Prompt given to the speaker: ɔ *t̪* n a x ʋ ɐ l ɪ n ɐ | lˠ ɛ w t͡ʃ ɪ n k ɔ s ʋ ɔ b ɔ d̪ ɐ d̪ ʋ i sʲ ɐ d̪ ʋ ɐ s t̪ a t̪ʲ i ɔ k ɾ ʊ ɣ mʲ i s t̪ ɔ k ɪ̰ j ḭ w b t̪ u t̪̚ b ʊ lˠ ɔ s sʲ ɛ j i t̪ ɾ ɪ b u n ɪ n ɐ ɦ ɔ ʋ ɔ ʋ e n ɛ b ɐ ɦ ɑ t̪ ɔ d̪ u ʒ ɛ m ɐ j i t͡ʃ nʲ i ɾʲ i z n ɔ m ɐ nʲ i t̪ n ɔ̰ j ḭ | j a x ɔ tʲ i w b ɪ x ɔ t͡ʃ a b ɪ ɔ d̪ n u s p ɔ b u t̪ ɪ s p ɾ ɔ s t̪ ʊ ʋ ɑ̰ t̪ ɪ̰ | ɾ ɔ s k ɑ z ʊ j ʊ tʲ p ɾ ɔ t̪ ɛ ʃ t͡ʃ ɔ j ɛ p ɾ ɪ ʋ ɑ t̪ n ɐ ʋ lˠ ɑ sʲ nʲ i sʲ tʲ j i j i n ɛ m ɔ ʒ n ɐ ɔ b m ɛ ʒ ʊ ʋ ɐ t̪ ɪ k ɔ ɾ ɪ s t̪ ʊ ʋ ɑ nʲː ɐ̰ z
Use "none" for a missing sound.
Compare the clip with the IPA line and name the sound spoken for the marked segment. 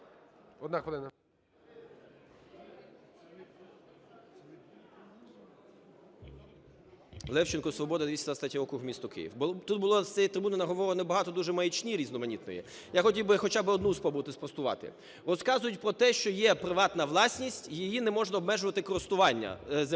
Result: d̪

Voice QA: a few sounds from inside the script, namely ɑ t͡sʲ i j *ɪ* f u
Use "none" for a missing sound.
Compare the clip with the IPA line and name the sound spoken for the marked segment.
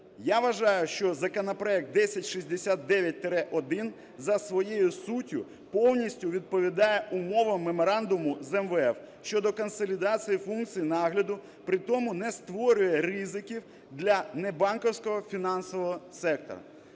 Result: i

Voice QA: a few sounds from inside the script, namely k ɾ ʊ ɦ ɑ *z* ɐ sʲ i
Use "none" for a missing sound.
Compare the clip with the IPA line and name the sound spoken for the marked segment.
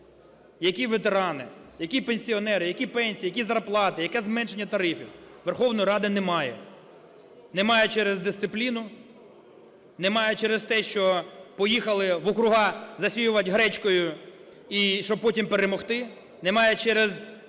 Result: z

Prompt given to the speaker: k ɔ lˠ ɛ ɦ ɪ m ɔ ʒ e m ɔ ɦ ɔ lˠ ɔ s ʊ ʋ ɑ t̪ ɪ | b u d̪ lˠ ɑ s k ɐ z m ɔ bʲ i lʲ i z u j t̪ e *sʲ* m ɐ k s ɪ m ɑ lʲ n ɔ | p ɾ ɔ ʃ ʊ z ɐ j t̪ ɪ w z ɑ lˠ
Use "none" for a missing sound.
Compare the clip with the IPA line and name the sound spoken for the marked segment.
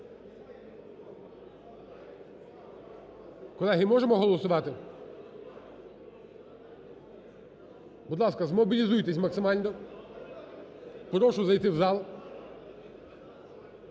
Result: sʲ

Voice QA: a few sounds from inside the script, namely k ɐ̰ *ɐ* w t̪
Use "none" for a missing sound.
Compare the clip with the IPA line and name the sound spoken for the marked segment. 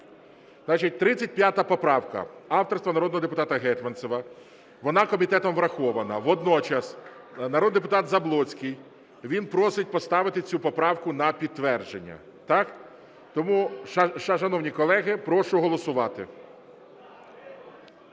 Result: ɑ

